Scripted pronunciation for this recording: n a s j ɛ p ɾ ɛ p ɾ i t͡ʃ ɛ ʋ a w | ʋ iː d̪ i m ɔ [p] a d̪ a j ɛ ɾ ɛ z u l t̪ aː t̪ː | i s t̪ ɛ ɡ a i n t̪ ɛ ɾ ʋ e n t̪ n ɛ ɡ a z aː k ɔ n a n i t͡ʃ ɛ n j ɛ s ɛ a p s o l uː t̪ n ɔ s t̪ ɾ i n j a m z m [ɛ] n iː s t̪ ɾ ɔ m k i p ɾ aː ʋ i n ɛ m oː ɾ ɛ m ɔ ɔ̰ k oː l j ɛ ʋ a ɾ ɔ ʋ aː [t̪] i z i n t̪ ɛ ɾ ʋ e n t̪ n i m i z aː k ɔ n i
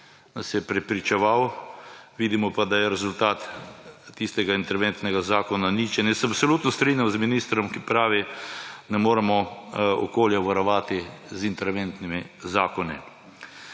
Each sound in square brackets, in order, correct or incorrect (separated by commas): correct, incorrect, correct